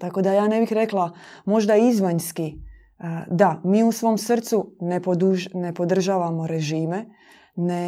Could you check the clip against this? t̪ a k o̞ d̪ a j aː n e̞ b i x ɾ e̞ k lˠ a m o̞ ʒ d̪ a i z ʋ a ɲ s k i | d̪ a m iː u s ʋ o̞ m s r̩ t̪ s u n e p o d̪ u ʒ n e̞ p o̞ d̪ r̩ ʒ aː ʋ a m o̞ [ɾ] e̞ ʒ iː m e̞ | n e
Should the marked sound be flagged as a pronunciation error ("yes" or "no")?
no